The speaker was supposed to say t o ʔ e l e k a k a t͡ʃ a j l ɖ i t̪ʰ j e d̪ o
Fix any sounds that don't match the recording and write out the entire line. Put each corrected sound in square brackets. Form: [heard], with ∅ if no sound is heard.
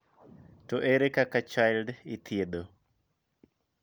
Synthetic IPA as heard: t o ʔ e [ɾ] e k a k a t͡ʃ a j l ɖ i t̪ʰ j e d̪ o

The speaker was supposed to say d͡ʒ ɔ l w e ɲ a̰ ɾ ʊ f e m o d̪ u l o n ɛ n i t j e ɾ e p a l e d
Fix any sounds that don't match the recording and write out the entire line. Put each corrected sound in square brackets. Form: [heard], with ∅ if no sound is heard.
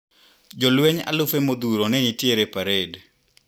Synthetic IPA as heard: d͡ʒ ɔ l w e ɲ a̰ [l] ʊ f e m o d̪ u [ɾ] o n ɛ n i t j e ɾ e p a [ɾ] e d

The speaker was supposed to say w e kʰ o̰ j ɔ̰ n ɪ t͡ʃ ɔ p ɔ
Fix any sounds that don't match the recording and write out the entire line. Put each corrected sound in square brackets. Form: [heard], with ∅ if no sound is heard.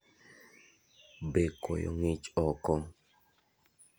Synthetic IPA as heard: [b] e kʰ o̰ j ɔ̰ [ŋ] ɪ t͡ʃ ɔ [k] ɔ

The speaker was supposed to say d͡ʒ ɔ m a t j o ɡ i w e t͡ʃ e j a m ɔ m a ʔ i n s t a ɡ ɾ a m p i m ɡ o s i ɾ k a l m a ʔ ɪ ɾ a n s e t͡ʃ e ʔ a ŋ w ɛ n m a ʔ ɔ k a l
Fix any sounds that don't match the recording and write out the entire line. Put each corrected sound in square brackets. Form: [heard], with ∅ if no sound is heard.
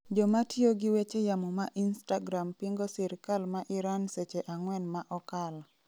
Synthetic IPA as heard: d͡ʒ ɔ m a t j o ɡ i w e t͡ʃ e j a m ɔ m a ʔ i n s t a ɡ ɾ a m p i [ŋ] ɡ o s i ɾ k a l m a ʔ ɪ ɾ a n s e t͡ʃ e ʔ a ŋ w ɛ n m a ʔ ɔ k a l

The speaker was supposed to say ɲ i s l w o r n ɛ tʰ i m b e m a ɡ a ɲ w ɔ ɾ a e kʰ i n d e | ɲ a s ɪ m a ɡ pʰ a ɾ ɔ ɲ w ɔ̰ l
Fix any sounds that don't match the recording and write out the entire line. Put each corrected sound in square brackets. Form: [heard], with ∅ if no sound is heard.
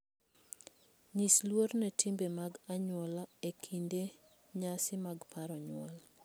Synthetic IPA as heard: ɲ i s l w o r n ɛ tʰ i m b e m a ɡ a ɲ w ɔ [l] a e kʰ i n d e | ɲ a s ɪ m a ɡ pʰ a ɾ ɔ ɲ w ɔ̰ l

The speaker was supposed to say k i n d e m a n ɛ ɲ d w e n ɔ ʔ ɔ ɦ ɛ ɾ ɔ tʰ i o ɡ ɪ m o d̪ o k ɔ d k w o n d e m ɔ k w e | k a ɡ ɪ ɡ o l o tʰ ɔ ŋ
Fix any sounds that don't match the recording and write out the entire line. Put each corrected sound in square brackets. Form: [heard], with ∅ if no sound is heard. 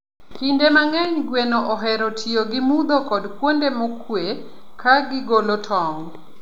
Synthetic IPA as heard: k i n d e m a [ŋ] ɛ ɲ [ɡ] w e n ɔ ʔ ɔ ɦ ɛ ɾ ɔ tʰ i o ɡ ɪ m [u] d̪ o k ɔ d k w o n d e m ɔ k w e | k a ɡ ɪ ɡ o l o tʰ ɔ ŋ

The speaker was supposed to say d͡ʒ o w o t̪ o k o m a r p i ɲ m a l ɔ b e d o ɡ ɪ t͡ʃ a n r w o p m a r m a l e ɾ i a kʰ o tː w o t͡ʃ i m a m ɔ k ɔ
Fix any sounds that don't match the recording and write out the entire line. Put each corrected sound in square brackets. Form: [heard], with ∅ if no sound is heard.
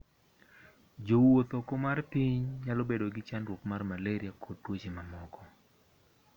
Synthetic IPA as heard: d͡ʒ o w o t̪ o k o m a r p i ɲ [ɲ] a l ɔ b e d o ɡ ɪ t͡ʃ a n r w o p m a r m a l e ɾ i a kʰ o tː w o t͡ʃ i m a m ɔ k ɔ

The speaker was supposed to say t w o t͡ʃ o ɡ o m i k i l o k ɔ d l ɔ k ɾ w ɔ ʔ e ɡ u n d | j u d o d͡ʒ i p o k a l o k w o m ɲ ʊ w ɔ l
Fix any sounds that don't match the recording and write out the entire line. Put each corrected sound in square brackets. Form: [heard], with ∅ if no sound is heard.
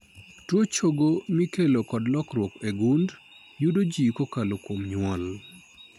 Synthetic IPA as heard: t w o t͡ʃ o ɡ o m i k [e] l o k ɔ d l ɔ k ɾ w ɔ [k] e ɡ u n d | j u d o d͡ʒ i [k] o k a l o k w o m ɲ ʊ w ɔ l

